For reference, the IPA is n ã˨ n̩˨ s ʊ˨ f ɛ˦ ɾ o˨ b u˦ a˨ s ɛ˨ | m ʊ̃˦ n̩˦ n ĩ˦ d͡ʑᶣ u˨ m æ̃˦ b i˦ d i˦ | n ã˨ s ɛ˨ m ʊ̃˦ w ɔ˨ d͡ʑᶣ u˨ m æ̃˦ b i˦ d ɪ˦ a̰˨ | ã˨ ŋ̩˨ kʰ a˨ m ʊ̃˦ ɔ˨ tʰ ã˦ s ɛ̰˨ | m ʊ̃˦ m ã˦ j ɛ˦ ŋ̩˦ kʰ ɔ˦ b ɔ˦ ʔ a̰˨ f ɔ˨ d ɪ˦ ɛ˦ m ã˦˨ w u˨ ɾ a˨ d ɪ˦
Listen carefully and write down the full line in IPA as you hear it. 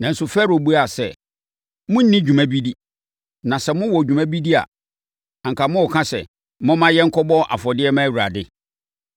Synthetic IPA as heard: n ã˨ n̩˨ s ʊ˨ f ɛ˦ ɾ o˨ b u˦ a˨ s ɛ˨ | m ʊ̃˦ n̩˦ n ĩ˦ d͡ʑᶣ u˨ m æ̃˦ b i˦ d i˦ | n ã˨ s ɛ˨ m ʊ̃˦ w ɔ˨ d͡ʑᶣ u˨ m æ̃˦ b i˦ d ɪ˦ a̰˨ | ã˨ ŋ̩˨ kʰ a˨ m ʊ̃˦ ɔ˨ kʰ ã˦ s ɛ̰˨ | m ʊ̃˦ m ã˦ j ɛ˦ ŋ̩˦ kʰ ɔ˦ b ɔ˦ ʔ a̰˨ f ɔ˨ d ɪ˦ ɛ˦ m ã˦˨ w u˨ ɾ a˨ d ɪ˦